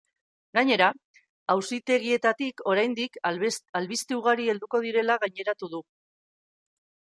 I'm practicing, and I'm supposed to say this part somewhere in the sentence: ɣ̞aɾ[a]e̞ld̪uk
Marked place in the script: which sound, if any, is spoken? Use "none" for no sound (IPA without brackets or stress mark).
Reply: i